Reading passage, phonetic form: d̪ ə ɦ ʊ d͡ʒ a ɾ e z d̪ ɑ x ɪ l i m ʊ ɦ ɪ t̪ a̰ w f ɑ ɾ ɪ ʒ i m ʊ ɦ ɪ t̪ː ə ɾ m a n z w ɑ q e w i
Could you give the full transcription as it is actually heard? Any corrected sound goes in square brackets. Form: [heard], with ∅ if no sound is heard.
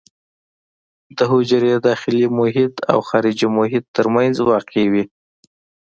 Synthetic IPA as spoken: d̪ ə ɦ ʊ d͡ʒ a ɾ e [∅] d̪ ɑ x ɪ l i m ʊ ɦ ɪ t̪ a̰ w [x] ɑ ɾ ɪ [d͡ʒ] i m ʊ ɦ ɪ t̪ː ə ɾ m a n z w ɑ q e w i